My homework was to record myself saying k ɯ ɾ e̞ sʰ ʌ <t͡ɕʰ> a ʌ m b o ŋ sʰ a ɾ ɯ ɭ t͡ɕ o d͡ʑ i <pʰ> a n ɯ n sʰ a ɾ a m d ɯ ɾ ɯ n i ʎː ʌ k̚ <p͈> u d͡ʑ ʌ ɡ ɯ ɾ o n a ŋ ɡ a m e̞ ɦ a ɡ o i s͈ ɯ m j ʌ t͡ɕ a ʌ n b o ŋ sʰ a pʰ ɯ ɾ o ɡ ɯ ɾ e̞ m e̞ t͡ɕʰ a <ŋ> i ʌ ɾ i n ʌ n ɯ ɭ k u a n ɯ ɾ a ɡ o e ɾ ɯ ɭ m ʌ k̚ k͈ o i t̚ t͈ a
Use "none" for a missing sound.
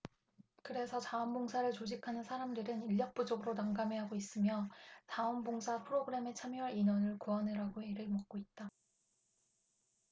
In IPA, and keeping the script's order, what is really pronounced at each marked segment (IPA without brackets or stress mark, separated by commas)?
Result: t͡ɕ, kʰ, p͈, m